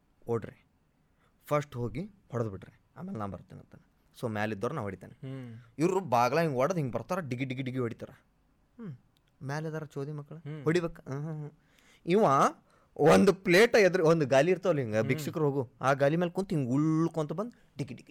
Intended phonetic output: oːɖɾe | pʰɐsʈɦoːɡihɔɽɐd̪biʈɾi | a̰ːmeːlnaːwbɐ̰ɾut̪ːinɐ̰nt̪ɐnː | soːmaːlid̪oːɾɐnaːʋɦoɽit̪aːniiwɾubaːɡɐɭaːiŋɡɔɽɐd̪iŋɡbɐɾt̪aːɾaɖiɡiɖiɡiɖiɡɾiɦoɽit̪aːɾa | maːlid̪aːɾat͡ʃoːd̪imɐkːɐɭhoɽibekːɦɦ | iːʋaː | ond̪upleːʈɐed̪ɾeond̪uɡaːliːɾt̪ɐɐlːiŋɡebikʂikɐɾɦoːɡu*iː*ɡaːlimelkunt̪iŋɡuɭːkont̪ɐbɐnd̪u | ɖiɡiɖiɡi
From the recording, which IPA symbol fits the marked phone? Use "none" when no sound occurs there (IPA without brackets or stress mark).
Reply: aː